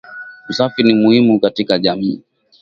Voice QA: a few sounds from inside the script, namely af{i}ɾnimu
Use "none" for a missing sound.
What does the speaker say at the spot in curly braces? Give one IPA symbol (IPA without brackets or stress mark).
i